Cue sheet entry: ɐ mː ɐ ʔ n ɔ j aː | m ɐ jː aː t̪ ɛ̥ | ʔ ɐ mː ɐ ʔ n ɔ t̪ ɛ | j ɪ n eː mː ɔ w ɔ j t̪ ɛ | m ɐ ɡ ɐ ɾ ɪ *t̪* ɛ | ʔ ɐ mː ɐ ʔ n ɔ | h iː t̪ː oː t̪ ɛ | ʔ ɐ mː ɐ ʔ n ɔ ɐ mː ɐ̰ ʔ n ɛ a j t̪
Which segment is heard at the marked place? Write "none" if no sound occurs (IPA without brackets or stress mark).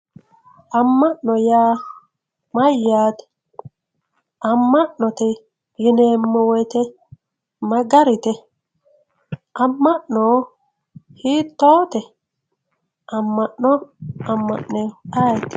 t̪